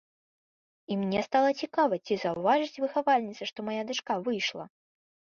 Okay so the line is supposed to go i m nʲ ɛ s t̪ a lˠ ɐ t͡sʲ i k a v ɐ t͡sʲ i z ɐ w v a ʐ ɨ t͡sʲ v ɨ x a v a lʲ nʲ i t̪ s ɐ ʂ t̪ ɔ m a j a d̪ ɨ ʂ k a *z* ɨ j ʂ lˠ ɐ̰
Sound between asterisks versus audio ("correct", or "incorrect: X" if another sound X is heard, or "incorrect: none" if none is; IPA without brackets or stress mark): incorrect: v